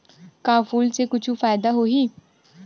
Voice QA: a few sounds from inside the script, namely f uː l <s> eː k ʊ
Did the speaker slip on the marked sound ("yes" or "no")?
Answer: no